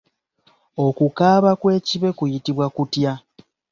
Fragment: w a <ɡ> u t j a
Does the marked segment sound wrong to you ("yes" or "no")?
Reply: yes